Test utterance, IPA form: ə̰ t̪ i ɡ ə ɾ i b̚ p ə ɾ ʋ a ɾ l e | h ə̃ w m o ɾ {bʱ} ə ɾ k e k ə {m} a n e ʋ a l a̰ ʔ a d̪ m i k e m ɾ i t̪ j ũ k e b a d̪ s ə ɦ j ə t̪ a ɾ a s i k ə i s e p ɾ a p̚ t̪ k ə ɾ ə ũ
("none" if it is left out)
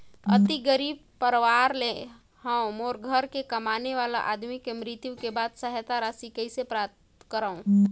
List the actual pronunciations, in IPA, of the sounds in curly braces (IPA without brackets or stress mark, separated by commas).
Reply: ɡʱ, m